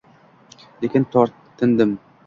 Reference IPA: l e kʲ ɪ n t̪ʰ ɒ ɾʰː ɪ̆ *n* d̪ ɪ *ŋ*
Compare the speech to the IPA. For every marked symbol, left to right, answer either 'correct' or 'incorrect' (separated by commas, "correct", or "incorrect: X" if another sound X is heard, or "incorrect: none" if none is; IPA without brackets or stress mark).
correct, incorrect: m